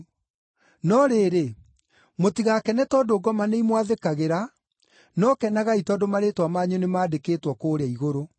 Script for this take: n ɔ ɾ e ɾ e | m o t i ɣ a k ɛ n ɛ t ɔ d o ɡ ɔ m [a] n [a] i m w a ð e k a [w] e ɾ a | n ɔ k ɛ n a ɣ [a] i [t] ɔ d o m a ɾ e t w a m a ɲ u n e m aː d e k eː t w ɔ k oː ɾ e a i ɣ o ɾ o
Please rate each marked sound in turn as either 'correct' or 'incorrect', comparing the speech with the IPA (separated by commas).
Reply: correct, incorrect, incorrect, correct, correct